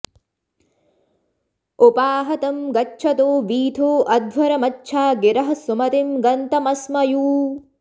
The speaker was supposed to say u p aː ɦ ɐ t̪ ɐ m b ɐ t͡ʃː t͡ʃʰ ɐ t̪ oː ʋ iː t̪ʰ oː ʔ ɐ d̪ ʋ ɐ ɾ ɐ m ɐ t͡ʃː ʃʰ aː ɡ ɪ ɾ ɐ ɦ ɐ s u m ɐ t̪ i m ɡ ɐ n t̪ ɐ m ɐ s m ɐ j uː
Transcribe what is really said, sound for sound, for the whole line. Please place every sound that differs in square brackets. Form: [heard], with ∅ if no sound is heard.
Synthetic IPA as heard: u p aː ɦ ɐ t̪ ɐ m [ɡ] ɐ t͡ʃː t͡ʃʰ ɐ t̪ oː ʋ iː t̪ʰ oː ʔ ɐ d̪ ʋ ɐ ɾ ɐ m ɐ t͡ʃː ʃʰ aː ɡ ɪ ɾ ɐ ɦ ɐ s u m ɐ t̪ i m ɡ ɐ n t̪ ɐ m ɐ s m ɐ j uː